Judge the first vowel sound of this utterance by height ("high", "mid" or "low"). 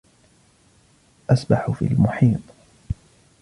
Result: low